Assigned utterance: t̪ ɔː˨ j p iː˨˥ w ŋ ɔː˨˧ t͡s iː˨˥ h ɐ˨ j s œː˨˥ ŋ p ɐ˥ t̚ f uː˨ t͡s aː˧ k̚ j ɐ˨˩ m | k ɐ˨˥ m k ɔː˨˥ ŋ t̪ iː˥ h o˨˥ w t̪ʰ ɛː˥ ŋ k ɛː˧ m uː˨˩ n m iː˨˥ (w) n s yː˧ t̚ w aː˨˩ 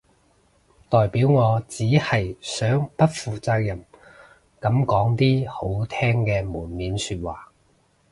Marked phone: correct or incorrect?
incorrect